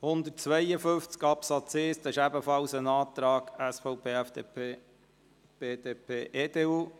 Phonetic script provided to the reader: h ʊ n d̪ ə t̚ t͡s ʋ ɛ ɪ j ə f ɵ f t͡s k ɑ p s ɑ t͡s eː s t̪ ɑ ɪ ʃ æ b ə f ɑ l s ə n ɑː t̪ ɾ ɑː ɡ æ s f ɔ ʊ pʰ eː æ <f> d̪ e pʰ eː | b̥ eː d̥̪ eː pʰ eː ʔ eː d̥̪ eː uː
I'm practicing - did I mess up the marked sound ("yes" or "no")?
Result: no